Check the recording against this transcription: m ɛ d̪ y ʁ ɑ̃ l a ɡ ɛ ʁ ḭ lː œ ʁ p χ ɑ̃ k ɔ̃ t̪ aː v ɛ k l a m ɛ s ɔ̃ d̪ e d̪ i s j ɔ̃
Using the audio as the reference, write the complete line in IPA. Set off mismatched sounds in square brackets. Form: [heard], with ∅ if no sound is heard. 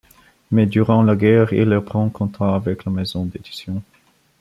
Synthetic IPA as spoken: m ɛ d̪ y ʁ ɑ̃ l a ɡ ɛ ʁ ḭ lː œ ʁ p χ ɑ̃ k ɔ̃ t̪ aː v ɛ k l a m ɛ [z] ɔ̃ d̪ e d̪ i s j ɔ̃